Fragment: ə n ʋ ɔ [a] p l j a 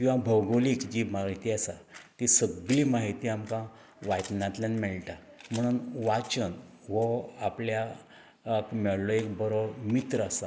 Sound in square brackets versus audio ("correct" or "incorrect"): correct